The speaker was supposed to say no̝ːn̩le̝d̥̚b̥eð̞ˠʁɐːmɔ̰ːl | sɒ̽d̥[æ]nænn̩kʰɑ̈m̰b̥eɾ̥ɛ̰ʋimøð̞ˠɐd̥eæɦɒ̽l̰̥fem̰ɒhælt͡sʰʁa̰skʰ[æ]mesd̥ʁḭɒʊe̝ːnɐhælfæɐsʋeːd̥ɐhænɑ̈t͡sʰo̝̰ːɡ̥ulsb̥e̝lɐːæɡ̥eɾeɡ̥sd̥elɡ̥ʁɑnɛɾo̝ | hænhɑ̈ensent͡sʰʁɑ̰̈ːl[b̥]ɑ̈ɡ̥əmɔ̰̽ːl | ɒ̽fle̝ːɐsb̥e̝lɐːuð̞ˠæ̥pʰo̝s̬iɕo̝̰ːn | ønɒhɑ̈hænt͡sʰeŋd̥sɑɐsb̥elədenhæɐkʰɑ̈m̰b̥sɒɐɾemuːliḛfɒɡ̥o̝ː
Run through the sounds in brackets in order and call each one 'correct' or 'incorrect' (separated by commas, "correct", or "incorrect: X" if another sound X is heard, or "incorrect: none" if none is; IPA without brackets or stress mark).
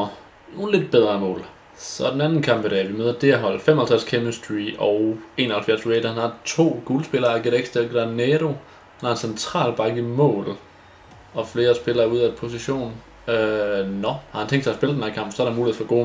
incorrect: e, incorrect: e, correct